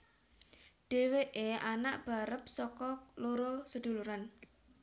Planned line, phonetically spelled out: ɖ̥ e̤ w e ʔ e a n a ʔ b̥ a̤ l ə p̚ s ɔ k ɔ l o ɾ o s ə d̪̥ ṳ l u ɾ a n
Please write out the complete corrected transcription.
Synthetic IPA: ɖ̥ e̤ w e ʔ e a n a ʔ b̥ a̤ ɾ ə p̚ s ɔ k ɔ l o ɾ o s ə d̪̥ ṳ l u ɾ a n